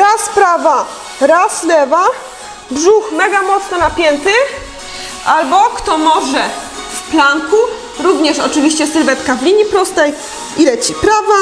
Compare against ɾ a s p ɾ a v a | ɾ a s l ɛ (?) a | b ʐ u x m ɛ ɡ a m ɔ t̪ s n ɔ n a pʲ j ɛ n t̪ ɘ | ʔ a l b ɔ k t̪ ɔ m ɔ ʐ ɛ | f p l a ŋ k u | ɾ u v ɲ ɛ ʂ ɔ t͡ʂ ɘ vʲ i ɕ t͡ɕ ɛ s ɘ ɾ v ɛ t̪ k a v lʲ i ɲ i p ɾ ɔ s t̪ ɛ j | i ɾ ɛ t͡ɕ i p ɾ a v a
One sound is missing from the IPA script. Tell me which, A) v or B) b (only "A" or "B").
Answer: A